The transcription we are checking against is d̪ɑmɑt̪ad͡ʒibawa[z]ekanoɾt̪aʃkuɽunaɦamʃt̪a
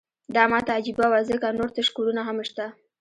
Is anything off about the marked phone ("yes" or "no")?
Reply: no